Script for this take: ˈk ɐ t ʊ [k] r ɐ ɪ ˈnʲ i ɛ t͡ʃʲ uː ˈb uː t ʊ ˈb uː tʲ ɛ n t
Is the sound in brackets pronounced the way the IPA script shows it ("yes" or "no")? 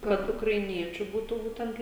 yes